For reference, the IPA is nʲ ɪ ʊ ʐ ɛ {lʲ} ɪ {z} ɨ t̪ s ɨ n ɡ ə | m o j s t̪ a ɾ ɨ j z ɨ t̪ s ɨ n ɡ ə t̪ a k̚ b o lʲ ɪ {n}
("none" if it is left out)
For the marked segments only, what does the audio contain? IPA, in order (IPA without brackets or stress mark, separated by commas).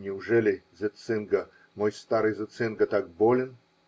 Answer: lʲ, z, n